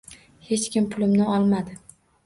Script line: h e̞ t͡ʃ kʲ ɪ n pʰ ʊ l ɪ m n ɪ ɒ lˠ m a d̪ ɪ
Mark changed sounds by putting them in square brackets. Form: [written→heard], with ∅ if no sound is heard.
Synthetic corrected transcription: h e̞ t͡ʃ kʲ ɪ [n→m] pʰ ʊ l ɪ m n ɪ ɒ lˠ m a d̪ ɪ